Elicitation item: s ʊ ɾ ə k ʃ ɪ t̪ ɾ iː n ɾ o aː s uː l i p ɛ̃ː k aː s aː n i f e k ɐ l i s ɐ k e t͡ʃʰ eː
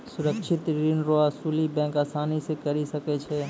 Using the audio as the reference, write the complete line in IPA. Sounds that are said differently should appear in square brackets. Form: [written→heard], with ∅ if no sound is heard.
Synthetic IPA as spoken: s ʊ ɾ ə k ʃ ɪ t̪ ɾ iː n ɾ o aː s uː l i [p→b] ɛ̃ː k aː s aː n i [f→s] e k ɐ [l→ɾ] i s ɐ k e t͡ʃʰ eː